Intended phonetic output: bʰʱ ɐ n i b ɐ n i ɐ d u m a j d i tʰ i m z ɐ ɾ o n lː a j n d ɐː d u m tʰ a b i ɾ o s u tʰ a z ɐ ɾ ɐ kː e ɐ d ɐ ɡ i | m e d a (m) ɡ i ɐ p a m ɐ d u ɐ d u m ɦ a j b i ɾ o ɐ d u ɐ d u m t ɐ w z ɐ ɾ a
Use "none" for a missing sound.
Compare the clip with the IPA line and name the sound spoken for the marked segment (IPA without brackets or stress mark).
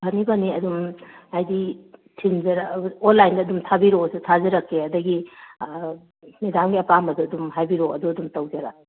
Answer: m